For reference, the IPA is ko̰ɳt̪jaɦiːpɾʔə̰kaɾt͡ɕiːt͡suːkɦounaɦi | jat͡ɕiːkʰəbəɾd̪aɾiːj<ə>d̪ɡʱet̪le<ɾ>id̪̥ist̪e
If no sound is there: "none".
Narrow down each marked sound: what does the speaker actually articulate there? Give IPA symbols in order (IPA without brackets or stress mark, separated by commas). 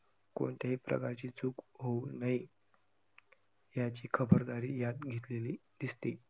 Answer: a, l